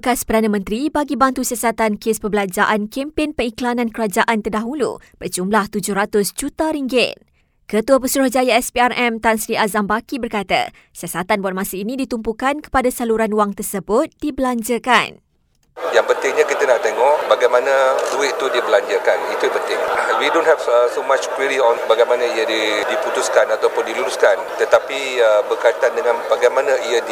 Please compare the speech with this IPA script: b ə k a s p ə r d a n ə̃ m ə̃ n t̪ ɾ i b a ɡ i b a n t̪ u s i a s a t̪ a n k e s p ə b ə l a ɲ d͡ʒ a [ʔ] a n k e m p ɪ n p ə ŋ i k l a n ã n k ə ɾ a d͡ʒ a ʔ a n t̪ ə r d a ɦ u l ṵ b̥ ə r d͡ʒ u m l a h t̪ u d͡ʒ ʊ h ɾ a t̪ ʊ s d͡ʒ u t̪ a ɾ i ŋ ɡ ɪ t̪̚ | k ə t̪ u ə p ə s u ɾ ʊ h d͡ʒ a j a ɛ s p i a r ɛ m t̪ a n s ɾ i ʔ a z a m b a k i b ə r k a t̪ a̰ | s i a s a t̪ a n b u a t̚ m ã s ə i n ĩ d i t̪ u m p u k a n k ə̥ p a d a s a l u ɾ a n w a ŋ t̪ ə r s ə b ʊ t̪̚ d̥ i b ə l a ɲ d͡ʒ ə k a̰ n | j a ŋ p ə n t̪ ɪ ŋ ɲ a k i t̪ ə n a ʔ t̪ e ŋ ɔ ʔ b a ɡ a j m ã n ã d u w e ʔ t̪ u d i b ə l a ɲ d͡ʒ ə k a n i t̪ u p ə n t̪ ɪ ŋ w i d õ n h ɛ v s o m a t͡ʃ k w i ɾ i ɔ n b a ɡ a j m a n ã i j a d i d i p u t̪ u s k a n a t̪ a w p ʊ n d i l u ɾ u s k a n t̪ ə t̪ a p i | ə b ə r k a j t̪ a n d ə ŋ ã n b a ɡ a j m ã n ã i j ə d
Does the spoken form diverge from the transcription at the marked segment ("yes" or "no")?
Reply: no